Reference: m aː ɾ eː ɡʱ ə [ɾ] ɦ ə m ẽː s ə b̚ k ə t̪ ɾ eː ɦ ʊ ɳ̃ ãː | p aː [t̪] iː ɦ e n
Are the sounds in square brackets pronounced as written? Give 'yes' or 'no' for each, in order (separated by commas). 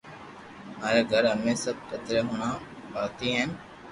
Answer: yes, yes